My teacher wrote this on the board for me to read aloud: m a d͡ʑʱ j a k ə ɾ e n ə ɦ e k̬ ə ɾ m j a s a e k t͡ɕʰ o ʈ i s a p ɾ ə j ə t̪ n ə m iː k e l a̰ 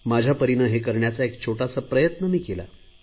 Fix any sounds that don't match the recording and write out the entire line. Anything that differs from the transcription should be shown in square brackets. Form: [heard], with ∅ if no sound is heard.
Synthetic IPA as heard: m a d͡ʑʱ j a [p] ə ɾ [i] n ə ɦ e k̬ ə ɾ [ɳ] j a [t͡s] a e k t͡ɕʰ o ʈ [a] s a p ɾ ə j ə t̪ n ə m iː k e l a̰